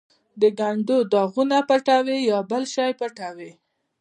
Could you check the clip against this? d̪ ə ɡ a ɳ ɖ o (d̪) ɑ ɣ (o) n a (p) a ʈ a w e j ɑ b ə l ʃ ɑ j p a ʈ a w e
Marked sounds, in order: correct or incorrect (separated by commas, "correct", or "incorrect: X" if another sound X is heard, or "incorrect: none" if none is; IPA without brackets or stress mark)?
correct, incorrect: u, correct